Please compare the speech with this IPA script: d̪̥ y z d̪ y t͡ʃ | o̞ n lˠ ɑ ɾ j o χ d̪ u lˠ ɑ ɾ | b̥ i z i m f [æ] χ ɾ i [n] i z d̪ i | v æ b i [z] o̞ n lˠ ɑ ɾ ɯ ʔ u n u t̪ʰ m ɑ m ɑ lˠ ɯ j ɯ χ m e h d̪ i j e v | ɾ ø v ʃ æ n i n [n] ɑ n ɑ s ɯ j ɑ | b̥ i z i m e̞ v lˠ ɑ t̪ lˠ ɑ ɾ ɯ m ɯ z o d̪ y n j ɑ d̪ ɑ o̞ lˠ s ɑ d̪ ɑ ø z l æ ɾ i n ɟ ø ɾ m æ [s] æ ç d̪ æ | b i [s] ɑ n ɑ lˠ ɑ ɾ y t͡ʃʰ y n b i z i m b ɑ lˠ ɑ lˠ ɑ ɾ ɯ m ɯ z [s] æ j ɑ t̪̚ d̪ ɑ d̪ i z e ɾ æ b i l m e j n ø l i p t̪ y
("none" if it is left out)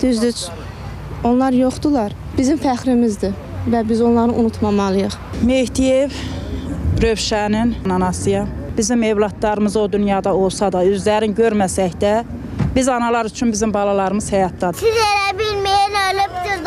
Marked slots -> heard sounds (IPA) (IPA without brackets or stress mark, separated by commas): æ, m, z, n, s, z, h